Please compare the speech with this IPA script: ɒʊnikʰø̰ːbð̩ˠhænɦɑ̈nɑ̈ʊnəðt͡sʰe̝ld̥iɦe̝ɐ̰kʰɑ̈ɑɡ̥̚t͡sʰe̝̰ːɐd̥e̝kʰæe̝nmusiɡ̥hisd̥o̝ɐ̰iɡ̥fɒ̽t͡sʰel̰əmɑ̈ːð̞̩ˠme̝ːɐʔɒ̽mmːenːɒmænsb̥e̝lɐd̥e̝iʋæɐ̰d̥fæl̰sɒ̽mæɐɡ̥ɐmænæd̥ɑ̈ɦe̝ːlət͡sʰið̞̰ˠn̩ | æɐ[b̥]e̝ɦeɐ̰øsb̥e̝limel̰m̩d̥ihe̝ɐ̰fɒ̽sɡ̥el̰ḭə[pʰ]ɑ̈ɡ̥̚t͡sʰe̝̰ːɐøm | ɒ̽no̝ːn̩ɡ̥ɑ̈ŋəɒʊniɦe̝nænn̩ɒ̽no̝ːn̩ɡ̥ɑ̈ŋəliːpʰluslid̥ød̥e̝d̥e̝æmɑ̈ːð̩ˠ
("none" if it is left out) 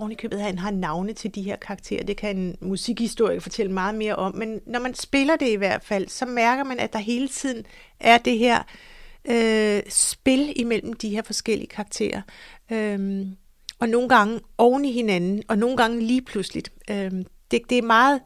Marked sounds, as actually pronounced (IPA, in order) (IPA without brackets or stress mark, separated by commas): d̥, kʰ